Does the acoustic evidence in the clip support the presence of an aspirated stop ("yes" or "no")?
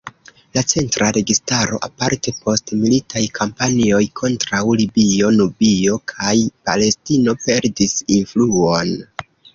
yes